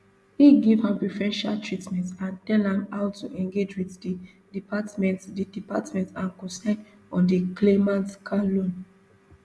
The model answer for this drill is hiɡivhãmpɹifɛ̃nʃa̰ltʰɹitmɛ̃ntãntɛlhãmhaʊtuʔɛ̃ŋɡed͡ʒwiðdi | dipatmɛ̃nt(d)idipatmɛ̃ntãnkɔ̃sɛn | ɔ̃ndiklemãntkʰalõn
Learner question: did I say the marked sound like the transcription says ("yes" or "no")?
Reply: yes